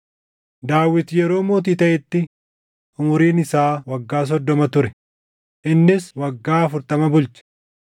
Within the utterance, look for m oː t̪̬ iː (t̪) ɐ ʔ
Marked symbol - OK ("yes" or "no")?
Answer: yes